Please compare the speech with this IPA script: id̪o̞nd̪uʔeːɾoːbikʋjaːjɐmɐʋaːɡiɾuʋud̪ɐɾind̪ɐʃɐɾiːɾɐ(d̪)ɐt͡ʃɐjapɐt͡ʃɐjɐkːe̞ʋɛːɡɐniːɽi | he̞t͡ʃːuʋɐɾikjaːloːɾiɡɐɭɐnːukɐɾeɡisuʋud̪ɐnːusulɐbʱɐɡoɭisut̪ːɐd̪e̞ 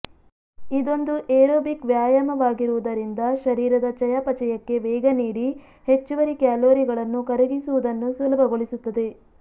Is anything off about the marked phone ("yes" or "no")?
no